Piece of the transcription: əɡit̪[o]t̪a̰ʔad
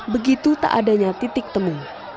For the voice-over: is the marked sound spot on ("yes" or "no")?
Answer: no